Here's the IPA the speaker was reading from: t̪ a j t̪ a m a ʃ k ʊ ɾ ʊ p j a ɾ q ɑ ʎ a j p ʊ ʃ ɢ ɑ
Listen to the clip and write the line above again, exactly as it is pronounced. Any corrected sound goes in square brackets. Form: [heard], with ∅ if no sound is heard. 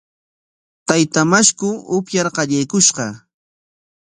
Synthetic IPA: t̪ a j t̪ a m a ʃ k ʊ [∅] ʊ p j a ɾ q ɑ ʎ a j [k] ʊ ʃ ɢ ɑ

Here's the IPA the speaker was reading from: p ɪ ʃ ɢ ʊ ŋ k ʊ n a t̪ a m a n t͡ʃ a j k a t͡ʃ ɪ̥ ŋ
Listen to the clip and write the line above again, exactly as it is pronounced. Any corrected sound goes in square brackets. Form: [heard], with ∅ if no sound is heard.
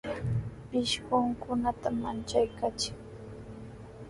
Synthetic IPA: p ɪ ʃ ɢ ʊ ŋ k ʊ n a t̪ a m a n t͡ʃ a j k a t͡ʃ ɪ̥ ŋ

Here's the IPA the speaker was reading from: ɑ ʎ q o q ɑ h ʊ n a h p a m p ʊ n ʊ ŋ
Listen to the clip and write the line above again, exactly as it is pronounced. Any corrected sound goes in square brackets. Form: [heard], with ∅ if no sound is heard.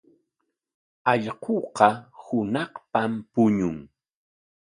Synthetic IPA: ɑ ʎ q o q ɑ h ʊ n [ɑ] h p a m p ʊ [ɲ] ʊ ŋ

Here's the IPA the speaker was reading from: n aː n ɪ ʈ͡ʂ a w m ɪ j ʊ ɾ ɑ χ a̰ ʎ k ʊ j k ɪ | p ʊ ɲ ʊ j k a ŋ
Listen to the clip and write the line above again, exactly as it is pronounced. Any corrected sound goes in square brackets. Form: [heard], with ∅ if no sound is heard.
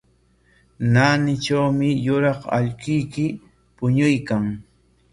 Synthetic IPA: n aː n ɪ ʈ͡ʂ a w m ɪ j ʊ ɾ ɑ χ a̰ ʎ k ʊ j k ɪ | p ʊ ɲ ʊ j k a ŋ

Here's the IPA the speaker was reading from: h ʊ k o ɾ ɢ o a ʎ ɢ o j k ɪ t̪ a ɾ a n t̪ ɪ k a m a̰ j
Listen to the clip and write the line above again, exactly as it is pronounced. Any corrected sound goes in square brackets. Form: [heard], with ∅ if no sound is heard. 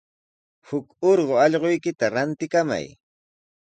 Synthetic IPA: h ʊ k o ɾ ɢ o [ɑ] ʎ ɢ o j k ɪ t̪ a ɾ a n t̪ ɪ k a m a̰ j

